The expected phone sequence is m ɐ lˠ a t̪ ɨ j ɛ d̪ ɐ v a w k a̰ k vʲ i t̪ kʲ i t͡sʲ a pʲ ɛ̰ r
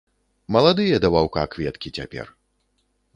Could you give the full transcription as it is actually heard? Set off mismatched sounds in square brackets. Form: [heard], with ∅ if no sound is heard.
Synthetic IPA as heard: m ɐ lˠ a [d̪] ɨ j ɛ d̪ ɐ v a w k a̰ k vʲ [ɛ] t̪ kʲ i t͡sʲ a pʲ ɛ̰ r